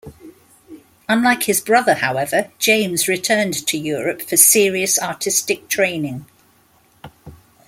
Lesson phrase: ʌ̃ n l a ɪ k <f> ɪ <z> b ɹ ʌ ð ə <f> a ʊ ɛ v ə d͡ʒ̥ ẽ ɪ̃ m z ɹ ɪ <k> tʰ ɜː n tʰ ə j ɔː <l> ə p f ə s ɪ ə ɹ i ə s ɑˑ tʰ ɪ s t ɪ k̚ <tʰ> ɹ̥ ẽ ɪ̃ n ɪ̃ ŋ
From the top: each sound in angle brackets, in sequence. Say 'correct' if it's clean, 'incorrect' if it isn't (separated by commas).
incorrect, correct, incorrect, incorrect, incorrect, correct